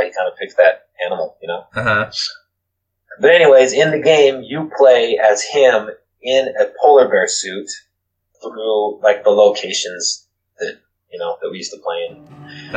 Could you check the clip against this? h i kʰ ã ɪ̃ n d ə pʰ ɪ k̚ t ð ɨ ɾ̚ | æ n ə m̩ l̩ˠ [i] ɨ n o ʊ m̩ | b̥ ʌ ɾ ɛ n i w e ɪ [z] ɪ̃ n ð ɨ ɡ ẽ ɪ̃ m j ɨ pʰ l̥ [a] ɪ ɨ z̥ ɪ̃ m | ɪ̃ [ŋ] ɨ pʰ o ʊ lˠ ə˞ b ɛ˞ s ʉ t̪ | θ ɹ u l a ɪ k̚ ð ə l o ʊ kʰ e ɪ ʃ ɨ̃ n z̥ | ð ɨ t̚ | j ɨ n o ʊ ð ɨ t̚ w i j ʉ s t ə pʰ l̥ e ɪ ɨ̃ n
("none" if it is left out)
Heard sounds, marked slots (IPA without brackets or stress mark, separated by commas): j, z, e, n